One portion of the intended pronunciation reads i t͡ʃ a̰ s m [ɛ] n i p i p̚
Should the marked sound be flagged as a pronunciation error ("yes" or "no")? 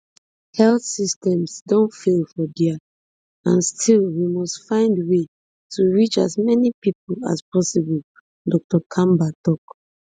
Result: no